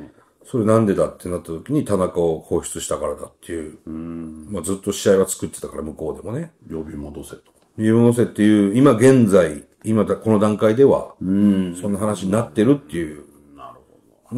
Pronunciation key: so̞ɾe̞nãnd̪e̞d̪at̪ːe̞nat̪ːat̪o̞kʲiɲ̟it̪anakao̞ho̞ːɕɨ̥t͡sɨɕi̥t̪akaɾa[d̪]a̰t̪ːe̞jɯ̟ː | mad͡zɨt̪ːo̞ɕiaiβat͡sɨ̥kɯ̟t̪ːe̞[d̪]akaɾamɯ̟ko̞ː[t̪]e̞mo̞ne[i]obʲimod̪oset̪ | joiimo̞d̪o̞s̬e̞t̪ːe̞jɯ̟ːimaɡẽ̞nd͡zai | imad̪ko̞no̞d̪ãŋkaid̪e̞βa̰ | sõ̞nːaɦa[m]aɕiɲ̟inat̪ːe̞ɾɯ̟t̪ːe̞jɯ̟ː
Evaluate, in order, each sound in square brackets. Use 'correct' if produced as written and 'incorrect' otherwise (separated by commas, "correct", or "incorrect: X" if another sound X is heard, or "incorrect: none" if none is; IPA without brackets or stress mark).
correct, incorrect: t̪, incorrect: d̪, incorrect: j, incorrect: n